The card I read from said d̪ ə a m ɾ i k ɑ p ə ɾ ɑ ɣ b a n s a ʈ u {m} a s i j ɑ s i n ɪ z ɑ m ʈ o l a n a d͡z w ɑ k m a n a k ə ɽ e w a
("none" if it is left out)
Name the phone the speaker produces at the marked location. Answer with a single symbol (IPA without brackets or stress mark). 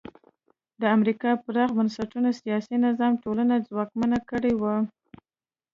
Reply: n